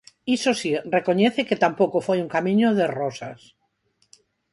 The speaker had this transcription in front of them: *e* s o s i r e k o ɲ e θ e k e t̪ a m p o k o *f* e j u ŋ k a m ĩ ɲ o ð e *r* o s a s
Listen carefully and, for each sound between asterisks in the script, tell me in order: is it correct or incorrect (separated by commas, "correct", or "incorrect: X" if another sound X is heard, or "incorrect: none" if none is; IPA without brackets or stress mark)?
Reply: incorrect: i, correct, correct